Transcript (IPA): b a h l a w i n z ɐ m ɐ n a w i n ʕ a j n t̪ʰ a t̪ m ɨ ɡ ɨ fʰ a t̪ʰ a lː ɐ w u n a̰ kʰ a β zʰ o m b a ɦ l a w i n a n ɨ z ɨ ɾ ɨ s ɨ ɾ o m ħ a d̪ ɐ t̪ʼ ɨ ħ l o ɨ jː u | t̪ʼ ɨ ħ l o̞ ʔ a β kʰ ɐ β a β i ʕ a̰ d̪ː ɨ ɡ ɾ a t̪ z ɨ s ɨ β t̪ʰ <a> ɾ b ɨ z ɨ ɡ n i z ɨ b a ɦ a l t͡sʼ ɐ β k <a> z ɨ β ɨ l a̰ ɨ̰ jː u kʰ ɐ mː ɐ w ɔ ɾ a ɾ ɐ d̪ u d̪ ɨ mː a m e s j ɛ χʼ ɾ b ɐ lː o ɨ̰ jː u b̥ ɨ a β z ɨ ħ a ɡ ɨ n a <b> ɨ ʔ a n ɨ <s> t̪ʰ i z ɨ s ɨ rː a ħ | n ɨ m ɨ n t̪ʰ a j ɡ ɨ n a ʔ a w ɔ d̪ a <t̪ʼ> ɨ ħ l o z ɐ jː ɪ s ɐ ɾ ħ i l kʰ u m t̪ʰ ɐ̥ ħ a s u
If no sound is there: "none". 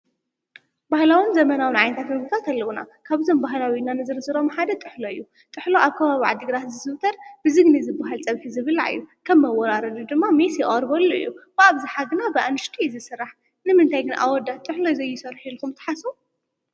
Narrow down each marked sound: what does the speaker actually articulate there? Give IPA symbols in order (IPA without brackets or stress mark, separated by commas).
ɐ, i, b, ʃ, t̪ʼ